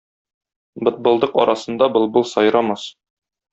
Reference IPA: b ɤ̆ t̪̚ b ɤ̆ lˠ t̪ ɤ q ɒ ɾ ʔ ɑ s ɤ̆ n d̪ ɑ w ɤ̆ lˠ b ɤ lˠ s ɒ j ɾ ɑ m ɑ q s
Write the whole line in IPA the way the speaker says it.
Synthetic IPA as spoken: b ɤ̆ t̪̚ b ɤ̆ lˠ d̪ ɤ q ɒ ɾ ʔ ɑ s ɤ̆ n d̪ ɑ b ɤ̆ lˠ b ɤ lˠ s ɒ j ɾ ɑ m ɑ s